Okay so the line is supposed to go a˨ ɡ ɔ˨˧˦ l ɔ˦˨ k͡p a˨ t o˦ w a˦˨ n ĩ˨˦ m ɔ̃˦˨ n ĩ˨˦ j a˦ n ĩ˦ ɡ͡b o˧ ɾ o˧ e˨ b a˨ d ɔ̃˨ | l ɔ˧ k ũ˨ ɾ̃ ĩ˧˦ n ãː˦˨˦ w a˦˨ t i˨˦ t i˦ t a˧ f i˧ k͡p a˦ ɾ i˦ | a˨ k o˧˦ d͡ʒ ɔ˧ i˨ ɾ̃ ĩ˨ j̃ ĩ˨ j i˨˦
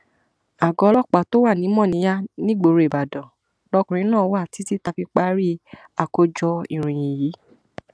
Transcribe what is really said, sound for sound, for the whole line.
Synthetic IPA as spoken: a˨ ɡ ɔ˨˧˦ l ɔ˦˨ k͡p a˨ t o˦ w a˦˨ n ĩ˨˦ m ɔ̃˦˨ n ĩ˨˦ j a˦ n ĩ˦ ɡ͡b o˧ ɾ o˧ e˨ b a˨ d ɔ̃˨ | l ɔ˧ k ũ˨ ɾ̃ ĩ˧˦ n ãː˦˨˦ w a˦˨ t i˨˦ t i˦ t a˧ f i˧ k͡p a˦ ɾ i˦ | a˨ k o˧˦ d͡ʒ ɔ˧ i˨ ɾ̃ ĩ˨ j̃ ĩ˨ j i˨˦